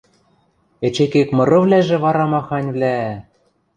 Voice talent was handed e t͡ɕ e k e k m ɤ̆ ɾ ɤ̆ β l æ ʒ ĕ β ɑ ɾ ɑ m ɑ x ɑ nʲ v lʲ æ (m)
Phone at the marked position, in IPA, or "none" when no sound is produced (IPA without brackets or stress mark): none